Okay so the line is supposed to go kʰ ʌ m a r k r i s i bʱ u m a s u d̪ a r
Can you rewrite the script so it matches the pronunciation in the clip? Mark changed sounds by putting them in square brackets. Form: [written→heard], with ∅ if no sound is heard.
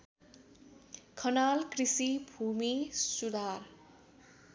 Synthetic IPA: kʰ ʌ [m→n] a [r→l] k r i s i bʱ u m [a→i] s u d̪ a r